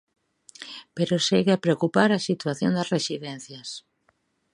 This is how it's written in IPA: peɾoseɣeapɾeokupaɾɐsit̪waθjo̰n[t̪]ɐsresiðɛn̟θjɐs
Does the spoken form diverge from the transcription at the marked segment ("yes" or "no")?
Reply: yes